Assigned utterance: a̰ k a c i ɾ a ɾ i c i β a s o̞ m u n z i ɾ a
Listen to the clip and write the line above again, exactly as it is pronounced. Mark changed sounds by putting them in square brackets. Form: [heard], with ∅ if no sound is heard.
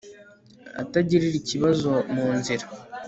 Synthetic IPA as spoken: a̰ [t] a [ɟ] i ɾ [i] ɾ i c i β a [z] o̞ m [uː] n z i ɾ a